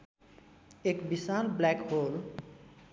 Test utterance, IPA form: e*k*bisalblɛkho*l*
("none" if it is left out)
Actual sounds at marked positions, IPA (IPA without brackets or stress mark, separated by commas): k, l